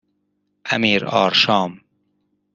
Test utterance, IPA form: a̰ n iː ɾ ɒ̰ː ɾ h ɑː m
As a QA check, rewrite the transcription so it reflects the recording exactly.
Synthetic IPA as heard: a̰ m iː ɾ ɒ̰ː ɾ ʃ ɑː m